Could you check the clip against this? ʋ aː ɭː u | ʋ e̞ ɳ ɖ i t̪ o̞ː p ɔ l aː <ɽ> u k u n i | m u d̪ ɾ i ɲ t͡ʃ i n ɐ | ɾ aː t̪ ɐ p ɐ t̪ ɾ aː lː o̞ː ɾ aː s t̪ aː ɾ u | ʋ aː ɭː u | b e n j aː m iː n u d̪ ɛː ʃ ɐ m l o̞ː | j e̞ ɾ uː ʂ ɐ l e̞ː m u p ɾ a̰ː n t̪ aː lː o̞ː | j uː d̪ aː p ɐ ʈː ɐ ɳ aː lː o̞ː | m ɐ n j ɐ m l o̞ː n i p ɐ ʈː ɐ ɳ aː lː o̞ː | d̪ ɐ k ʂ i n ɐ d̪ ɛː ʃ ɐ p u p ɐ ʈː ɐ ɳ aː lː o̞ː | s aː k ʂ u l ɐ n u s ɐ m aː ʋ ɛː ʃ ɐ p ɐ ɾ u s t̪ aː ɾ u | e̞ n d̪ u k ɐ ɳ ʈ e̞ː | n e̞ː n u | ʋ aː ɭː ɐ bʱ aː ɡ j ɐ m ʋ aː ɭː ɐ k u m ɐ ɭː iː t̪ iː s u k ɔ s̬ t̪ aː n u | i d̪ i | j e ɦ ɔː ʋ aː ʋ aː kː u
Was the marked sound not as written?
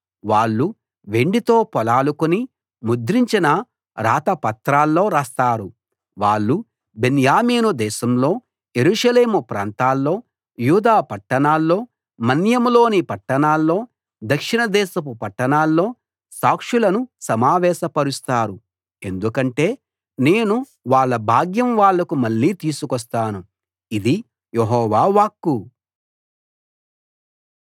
yes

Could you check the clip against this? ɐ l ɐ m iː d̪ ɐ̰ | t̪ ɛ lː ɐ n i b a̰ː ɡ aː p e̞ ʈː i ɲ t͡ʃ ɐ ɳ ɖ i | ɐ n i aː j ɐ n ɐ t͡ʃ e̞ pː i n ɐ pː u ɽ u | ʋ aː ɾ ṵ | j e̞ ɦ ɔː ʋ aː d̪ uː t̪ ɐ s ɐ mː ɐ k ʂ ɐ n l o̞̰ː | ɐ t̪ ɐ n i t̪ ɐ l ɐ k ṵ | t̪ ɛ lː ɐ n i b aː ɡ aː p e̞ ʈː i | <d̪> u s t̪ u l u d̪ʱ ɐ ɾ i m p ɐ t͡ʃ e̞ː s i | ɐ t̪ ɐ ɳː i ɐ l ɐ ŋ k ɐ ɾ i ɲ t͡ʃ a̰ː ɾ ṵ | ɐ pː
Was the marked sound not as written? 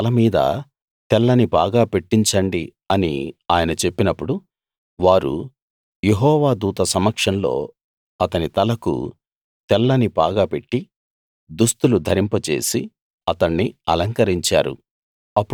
no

